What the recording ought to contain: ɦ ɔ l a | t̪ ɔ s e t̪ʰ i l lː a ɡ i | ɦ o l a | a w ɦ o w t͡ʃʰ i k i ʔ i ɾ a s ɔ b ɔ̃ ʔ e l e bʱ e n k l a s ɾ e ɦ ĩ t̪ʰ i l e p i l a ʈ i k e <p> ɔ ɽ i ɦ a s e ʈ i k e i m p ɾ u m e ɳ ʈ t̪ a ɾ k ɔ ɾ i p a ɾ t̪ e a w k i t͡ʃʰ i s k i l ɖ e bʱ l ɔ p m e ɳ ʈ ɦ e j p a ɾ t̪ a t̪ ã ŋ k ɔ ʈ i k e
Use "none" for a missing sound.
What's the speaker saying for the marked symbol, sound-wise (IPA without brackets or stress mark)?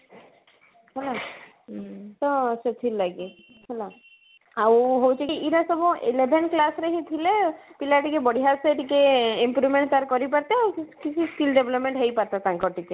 b